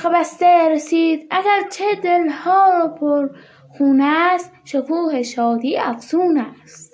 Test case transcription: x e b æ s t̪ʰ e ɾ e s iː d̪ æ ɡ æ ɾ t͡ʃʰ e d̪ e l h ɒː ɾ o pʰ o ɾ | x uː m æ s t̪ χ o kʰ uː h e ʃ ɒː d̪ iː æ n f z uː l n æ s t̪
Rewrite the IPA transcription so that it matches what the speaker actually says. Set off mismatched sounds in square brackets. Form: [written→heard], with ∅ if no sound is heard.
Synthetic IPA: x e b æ s [t̪ʰ→t̪] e ɾ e s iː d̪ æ ɡ æ ɾ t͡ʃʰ e d̪ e l h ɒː ɾ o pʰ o ɾ | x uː [m→n] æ s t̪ [χ→ʃ] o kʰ uː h e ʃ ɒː d̪ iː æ [n→∅] f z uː [l→∅] n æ s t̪